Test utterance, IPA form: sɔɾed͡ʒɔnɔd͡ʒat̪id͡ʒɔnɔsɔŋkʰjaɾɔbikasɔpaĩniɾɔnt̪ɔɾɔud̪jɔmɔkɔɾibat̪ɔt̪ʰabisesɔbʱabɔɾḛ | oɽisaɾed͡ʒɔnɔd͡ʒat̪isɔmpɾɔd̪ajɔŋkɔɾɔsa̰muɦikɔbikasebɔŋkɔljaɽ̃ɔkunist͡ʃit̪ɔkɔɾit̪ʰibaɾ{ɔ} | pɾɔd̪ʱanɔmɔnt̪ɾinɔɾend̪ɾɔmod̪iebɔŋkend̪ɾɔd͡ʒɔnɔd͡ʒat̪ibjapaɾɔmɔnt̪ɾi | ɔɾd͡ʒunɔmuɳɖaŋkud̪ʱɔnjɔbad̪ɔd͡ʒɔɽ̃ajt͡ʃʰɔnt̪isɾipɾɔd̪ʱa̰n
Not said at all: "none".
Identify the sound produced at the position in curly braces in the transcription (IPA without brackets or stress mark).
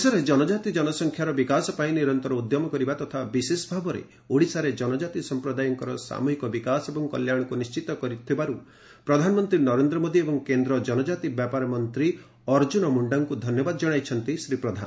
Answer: u